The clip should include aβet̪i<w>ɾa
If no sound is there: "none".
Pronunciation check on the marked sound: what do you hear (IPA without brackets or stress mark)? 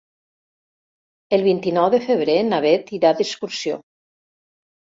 none